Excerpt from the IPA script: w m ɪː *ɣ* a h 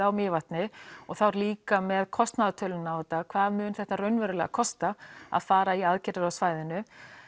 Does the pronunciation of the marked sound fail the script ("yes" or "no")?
yes